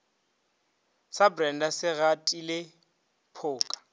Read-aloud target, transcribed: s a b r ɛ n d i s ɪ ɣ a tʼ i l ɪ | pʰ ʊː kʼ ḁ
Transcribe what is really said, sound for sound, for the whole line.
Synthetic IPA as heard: s a b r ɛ n d a s ɪ ɣ a tʼ i l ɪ | pʰ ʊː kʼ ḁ